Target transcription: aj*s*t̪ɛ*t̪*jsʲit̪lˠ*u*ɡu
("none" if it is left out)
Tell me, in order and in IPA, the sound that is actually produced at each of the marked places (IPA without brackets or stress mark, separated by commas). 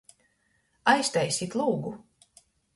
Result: s, none, uː